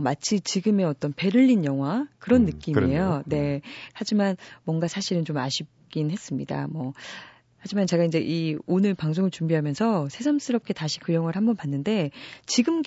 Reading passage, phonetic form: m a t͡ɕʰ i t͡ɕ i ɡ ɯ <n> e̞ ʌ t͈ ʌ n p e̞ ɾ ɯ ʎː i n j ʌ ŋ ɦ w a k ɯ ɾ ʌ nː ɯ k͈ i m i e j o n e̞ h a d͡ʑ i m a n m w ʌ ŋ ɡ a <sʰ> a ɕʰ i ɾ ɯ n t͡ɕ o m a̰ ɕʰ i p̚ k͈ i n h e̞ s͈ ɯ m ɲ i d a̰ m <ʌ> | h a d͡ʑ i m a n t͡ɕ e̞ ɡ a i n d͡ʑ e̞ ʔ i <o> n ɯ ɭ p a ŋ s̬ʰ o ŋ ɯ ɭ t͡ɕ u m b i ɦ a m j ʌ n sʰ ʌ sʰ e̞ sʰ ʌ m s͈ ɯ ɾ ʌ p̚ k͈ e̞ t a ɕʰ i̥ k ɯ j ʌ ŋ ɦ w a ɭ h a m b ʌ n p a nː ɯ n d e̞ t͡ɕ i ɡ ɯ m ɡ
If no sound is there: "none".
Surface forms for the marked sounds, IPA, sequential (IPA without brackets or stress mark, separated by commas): m, sʰ, ʌ, o